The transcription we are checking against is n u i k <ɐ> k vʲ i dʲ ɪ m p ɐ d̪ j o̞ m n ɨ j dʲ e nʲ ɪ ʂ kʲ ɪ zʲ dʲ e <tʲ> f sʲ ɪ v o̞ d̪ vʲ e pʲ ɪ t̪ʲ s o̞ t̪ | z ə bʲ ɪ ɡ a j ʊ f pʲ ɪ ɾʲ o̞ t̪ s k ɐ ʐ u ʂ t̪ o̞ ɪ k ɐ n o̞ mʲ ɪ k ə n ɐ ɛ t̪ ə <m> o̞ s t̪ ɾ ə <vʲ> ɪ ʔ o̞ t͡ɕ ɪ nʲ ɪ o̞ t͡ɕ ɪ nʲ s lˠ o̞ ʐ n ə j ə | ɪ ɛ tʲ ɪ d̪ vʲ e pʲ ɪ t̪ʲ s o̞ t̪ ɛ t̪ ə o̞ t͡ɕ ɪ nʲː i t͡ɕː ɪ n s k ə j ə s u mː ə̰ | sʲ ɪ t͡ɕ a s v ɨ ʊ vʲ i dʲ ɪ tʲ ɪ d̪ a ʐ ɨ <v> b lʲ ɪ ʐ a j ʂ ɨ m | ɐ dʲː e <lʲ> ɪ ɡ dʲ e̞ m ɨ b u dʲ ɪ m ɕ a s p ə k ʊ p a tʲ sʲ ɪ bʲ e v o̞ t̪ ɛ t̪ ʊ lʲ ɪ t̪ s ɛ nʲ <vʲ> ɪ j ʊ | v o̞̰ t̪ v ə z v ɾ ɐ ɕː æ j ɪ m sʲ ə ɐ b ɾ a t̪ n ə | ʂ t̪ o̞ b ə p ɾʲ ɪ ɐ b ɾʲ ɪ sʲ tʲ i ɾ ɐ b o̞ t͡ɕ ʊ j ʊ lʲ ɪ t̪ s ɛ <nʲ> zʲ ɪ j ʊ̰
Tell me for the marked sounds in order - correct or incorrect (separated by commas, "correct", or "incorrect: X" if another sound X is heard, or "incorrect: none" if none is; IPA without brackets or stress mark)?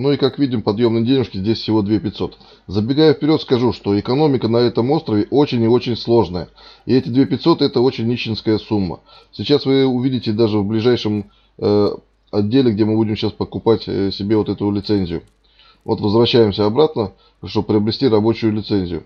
incorrect: a, incorrect: sʲ, correct, correct, correct, correct, incorrect: zʲ, correct